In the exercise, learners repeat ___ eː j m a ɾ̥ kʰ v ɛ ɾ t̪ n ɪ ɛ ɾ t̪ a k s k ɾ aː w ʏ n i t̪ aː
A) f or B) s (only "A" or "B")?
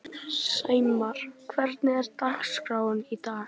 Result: B